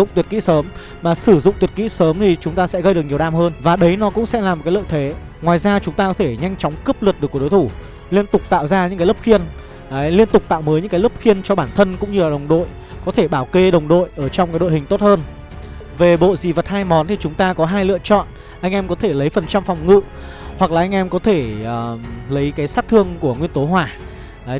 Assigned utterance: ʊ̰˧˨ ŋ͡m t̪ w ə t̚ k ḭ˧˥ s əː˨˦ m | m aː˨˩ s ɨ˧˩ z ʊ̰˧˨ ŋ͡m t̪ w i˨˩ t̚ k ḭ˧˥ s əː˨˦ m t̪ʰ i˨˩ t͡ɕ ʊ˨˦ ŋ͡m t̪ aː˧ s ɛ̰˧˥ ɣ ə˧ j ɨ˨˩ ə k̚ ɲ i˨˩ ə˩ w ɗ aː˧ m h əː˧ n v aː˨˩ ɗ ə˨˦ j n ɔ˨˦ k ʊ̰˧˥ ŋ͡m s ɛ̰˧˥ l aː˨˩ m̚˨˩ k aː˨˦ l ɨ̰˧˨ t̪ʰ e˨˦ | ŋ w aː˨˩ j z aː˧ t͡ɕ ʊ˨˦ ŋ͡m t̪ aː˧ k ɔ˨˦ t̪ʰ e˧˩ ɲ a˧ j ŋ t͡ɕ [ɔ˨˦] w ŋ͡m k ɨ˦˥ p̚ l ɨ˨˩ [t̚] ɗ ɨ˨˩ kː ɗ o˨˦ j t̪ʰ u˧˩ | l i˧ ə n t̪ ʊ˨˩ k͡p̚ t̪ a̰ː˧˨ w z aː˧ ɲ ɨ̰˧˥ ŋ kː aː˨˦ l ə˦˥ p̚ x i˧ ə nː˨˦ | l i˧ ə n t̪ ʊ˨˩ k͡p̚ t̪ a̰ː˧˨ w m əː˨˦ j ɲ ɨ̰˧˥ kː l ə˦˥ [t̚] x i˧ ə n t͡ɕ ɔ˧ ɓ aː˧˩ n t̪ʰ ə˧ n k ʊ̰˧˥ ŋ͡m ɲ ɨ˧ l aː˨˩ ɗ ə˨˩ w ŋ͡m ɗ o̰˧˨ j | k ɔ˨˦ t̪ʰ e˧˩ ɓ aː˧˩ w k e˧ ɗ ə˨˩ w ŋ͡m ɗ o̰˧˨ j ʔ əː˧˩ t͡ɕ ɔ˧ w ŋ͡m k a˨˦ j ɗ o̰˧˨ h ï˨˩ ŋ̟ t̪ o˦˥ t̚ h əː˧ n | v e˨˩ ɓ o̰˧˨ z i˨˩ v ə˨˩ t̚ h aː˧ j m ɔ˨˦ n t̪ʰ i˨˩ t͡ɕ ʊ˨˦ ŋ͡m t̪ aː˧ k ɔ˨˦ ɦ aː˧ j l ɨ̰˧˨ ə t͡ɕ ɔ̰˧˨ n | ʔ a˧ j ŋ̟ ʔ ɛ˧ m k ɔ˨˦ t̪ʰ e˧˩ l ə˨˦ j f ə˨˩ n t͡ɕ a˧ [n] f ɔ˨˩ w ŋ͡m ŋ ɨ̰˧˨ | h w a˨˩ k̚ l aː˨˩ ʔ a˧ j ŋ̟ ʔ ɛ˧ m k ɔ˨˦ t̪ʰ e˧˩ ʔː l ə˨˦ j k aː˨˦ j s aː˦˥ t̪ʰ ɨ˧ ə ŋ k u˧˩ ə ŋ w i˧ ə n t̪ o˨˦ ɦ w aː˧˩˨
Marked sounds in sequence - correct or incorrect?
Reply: correct, correct, incorrect: p̚, incorrect: m

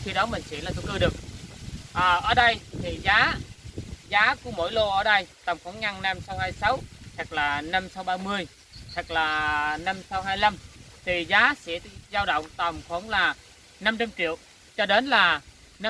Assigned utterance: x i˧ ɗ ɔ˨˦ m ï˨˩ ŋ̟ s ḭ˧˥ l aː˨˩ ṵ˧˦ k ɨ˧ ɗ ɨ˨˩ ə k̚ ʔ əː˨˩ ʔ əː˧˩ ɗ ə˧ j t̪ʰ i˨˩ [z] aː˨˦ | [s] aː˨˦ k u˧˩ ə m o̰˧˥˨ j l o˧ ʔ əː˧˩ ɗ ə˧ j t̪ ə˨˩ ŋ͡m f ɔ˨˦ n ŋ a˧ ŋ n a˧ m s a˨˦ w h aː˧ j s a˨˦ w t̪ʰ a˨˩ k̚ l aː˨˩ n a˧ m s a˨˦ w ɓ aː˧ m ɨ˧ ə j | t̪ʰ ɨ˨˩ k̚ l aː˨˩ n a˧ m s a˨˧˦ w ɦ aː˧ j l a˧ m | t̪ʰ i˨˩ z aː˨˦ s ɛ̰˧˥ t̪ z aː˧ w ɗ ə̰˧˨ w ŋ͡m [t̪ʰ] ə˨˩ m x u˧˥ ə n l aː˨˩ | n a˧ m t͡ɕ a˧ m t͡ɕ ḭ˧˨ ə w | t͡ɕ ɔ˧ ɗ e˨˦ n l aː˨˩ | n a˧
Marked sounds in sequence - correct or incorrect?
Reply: correct, incorrect: z, incorrect: t̪

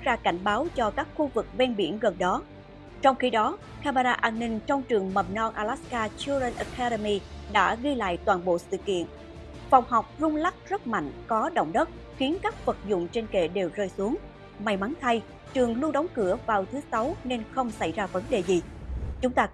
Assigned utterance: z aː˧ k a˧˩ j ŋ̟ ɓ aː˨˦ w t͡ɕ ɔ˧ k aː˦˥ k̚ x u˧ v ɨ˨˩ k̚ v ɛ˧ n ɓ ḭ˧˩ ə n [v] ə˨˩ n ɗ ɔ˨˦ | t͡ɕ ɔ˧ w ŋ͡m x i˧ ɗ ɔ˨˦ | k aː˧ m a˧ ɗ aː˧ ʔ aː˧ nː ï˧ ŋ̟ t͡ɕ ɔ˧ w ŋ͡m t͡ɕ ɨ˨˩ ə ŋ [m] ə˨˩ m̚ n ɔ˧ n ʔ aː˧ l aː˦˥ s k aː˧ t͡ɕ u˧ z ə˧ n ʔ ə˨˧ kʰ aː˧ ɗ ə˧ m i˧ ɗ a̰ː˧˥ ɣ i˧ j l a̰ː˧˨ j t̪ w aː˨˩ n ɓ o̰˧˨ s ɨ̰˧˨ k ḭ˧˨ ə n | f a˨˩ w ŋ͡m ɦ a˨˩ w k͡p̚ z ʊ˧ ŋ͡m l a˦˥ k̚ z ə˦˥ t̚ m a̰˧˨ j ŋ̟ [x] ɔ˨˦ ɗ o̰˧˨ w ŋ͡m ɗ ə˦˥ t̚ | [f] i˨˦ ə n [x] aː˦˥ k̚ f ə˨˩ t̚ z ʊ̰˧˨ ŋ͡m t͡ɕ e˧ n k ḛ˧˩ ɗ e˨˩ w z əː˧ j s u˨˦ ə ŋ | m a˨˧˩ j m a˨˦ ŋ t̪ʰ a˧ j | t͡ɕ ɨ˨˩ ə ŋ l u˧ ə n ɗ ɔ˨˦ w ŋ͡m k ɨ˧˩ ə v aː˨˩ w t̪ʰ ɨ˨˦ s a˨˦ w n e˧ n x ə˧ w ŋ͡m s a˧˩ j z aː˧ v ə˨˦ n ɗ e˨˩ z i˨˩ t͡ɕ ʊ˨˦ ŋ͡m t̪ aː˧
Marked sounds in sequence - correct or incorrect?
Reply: incorrect: ɣ, correct, incorrect: k, incorrect: x, incorrect: k

